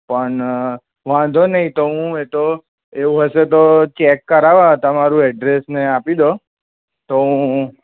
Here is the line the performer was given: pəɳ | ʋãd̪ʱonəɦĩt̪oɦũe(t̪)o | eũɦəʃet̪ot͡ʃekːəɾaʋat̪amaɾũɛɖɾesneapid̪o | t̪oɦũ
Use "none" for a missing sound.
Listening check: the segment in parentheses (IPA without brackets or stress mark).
t̪